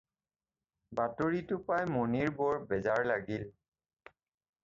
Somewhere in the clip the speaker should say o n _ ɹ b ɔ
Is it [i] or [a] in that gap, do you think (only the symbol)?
i